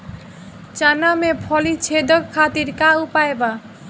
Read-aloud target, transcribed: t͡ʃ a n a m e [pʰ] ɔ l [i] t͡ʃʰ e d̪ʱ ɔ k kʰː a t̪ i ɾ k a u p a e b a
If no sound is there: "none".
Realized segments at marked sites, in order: pʰ, i

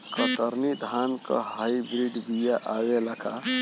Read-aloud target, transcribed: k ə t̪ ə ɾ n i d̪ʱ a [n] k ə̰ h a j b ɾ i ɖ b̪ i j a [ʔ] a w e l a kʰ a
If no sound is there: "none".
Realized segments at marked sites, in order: n, ʔ

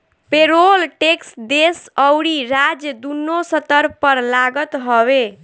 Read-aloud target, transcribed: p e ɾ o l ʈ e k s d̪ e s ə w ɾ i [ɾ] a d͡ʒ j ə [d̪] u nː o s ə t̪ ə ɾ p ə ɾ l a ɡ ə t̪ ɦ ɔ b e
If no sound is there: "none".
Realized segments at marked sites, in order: ɾ, d̪

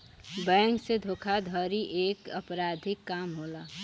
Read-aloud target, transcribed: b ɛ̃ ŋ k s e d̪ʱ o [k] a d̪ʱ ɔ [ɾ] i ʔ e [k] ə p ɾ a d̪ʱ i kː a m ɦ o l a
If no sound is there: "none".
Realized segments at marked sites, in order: kʰ, ɾ, k

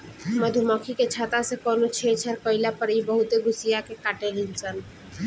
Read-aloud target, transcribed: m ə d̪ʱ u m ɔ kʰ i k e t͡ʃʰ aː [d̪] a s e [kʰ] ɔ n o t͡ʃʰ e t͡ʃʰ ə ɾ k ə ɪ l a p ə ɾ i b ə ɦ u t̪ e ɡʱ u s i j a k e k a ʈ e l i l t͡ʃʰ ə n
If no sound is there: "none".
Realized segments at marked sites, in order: t̪, k

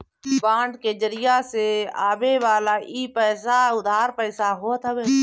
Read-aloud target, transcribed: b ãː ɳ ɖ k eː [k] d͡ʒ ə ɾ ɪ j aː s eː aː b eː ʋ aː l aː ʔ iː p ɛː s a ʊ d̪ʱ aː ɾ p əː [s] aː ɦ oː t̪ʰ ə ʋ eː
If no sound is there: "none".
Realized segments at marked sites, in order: none, s

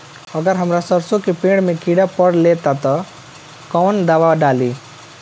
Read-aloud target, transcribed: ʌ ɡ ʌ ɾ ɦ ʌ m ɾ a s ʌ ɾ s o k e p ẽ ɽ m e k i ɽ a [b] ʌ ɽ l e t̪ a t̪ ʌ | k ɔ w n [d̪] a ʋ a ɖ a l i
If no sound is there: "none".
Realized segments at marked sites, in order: p, d̪

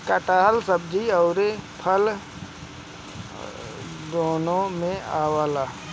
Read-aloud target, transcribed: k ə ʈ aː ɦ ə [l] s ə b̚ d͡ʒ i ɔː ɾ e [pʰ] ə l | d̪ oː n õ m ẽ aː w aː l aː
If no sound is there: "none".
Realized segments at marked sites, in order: l, pʰ

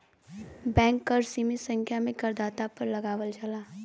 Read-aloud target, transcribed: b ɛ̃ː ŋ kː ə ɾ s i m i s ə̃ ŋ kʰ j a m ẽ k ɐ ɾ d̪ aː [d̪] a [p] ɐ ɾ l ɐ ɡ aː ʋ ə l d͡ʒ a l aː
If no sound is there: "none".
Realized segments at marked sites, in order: t̪, p

